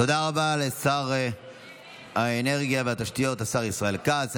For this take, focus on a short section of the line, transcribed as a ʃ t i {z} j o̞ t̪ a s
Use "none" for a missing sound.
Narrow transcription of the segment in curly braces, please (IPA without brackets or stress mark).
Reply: none